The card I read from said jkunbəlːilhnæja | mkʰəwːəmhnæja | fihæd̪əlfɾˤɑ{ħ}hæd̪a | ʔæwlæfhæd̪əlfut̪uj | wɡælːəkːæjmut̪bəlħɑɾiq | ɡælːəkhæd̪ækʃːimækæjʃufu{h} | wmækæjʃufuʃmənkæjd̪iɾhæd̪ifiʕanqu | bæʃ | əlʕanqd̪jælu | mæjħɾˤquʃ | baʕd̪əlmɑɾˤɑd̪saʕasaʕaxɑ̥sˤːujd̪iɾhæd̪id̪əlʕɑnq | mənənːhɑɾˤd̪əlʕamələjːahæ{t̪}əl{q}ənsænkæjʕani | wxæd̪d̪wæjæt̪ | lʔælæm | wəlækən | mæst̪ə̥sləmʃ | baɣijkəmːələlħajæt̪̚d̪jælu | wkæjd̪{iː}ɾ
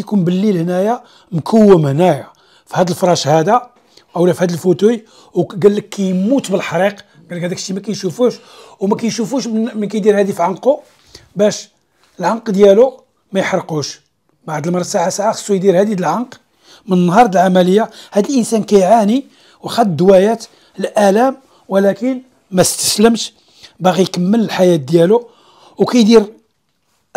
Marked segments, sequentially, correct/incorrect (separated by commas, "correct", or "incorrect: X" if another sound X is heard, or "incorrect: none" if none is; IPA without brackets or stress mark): incorrect: ʃ, incorrect: ʃ, incorrect: d̪, incorrect: ʔ, incorrect: i